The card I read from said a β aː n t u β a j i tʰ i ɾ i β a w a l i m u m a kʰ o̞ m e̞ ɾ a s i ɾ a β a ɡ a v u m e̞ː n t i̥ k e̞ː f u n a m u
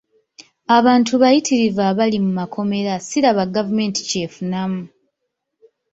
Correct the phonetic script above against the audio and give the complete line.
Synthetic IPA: a β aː n t u β a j i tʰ i ɾ i v a β a l i m u m a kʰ o̞ m e̞ ɾ a s i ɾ a β a ɡ a v u m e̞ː n t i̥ c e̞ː f u n a m u